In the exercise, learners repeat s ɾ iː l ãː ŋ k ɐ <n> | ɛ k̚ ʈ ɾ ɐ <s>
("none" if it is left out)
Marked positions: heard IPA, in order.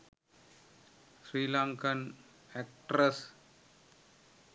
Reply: n, s

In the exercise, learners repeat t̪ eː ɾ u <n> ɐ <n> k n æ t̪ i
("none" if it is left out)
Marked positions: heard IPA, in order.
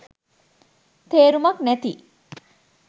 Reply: m, none

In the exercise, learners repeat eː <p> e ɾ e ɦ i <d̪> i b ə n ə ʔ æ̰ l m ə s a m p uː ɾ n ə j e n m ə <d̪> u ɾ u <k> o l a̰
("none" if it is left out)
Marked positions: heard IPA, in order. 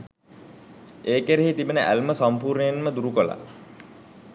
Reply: k, t̪, d̪, k

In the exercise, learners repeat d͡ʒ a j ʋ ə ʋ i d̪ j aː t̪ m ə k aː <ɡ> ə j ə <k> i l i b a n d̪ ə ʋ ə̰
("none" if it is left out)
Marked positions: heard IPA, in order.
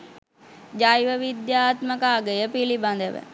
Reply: ɡ, p

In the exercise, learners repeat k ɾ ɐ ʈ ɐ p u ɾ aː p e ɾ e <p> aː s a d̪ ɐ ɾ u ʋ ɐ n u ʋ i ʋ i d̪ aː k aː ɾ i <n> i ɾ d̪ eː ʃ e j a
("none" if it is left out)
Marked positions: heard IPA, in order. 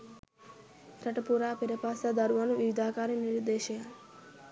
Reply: p, n

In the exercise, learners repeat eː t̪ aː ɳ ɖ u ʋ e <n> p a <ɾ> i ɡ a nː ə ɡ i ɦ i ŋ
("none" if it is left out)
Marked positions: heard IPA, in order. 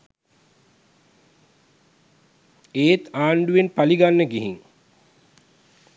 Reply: n, l

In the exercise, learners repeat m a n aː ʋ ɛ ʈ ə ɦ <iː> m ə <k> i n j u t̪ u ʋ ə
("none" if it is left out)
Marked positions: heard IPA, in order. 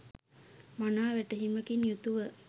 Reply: i, k

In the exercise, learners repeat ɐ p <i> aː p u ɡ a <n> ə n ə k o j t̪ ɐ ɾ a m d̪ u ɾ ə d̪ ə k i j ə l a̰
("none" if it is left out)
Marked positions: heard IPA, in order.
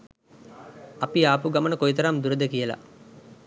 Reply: i, m

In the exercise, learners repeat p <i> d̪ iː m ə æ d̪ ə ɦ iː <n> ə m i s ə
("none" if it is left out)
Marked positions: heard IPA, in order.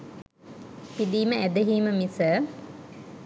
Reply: i, m

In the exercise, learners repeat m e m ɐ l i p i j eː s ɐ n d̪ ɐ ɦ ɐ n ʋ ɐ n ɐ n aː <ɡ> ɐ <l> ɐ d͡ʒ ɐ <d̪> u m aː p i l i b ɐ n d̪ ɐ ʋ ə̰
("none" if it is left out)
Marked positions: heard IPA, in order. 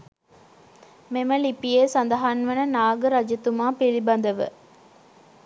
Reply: ɡ, ɾ, t̪

